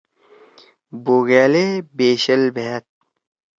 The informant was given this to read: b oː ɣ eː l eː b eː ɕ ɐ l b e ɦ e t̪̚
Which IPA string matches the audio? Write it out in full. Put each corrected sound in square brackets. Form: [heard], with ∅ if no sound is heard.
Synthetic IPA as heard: b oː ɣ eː l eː b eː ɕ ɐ l b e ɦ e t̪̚